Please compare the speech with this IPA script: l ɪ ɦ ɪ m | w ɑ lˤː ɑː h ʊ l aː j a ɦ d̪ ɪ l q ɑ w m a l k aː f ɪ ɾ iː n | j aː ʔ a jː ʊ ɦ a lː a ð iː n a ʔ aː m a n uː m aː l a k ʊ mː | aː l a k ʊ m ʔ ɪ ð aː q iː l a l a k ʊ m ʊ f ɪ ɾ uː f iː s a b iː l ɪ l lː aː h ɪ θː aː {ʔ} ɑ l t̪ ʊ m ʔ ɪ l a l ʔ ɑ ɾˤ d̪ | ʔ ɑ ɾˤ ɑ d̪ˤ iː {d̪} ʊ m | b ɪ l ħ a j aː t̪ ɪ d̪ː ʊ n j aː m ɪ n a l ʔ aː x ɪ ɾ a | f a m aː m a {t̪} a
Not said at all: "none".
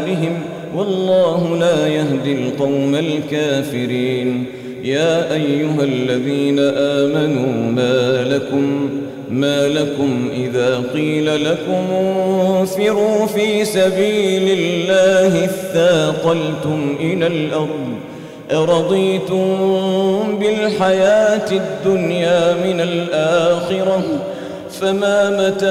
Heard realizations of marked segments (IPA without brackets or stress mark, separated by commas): q, t̪, t̪